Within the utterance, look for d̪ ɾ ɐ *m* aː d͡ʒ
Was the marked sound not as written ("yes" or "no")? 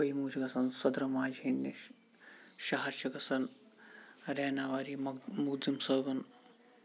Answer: no